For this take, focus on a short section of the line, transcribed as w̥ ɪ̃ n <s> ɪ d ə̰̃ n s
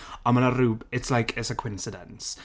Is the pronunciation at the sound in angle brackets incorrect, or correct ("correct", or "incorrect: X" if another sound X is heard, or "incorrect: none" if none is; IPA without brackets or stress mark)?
correct